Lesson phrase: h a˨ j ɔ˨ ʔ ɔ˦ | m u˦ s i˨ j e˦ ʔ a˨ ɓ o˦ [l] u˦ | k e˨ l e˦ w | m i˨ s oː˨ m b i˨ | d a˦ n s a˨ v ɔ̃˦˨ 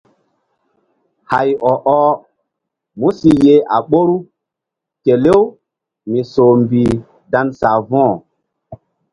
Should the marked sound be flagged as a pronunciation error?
yes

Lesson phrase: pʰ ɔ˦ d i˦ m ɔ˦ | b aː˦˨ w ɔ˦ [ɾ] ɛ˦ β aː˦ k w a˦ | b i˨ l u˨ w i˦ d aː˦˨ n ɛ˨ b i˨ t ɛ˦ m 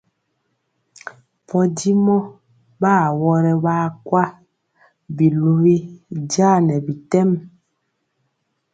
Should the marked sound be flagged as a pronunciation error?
no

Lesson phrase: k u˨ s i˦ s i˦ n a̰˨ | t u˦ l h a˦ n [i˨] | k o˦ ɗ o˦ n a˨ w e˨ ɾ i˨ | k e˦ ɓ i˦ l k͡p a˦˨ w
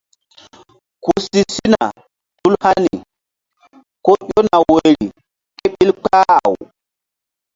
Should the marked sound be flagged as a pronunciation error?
no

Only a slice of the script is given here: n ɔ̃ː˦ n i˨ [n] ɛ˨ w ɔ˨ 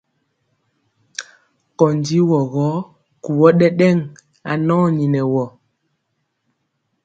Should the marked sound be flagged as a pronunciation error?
no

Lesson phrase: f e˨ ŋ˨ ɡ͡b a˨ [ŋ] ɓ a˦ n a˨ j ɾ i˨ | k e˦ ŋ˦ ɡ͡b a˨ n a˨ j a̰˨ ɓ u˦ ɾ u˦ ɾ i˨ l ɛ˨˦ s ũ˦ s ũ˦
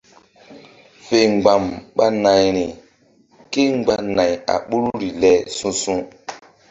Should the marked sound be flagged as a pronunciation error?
yes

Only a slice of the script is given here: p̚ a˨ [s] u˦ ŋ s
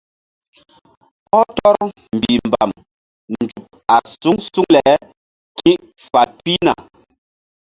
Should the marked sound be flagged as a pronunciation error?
no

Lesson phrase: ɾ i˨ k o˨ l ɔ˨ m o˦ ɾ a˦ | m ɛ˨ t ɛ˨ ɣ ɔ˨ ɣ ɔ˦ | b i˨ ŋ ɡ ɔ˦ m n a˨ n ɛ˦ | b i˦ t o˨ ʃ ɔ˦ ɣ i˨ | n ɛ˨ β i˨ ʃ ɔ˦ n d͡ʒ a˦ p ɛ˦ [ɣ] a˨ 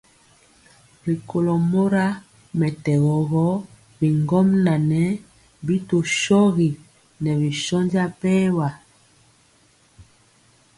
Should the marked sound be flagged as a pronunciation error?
yes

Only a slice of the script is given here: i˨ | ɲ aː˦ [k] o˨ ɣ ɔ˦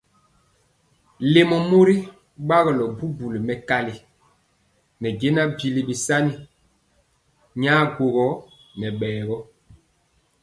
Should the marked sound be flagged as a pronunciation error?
yes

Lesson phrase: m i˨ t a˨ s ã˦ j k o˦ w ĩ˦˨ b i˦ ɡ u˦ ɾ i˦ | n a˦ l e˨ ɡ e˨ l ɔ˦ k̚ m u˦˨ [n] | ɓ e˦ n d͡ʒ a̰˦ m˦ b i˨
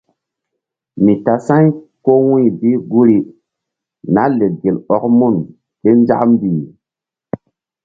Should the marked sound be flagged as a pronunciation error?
no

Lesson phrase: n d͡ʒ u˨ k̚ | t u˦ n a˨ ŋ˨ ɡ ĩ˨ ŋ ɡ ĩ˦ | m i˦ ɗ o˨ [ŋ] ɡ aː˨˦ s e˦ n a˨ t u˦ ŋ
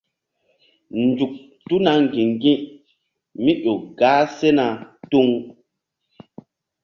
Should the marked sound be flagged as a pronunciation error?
yes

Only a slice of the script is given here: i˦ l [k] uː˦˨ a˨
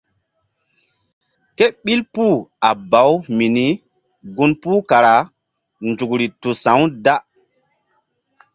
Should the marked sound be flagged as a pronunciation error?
yes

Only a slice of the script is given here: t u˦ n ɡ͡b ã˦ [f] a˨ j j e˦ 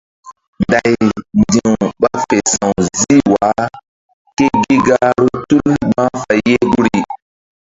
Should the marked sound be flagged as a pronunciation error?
no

